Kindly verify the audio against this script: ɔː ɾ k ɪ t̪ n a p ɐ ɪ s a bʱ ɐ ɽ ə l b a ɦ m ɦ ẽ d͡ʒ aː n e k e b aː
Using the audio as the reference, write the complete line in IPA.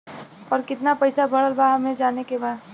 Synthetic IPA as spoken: ɔː ɾ k ɪ t̪ n a p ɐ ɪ s a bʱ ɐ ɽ ə l b a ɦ m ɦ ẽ d͡ʒ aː n e k e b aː